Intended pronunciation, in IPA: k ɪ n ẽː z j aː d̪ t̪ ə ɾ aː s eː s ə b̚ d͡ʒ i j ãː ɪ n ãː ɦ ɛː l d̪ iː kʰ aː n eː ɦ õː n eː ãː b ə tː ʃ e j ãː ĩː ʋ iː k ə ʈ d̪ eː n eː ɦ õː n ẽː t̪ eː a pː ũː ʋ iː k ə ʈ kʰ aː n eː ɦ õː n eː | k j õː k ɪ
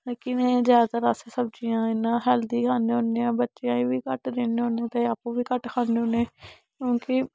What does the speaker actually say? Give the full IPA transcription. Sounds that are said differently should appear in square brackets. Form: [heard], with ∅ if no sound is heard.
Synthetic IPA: k ɪ n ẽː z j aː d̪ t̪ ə ɾ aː s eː s ə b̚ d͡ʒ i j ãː ɪ n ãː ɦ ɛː l d̪ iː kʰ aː n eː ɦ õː n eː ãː b ə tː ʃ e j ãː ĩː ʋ iː k ə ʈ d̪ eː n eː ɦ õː n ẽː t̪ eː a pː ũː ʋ iː k ə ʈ kʰ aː n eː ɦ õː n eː | k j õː k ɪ